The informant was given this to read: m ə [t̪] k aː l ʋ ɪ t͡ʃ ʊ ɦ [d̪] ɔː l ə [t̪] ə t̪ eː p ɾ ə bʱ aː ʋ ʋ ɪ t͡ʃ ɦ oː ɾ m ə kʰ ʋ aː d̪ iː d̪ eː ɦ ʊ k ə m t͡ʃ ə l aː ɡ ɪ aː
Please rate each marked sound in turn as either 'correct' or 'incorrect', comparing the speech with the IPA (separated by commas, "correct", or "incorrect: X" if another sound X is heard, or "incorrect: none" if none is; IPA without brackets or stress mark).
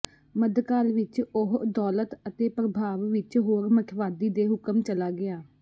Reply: incorrect: d̪, correct, correct